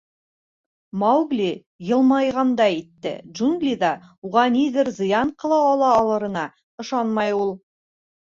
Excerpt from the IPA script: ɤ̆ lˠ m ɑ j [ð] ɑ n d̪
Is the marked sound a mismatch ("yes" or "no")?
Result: yes